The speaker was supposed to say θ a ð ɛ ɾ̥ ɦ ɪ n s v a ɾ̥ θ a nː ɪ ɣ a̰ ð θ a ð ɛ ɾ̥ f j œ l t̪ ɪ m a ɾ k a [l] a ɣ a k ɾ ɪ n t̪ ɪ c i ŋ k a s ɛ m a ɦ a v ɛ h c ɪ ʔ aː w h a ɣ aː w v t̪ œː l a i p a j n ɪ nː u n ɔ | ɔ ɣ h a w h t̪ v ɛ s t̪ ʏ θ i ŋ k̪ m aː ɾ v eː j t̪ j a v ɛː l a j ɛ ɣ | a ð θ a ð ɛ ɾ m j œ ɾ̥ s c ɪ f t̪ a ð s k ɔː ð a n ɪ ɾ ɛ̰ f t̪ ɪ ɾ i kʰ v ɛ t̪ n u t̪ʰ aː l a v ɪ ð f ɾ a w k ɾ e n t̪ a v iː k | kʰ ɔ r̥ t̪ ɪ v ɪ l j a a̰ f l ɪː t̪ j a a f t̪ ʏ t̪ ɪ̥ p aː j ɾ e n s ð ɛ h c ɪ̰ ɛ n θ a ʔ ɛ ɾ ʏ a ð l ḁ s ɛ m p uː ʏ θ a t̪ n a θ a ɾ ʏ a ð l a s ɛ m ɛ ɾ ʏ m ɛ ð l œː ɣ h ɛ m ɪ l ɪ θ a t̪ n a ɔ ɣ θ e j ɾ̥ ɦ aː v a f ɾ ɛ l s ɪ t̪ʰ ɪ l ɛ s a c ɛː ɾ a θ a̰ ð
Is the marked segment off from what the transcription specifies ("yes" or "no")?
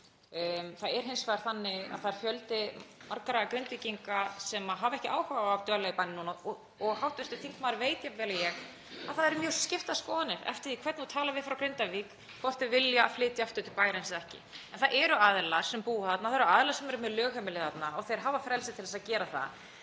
yes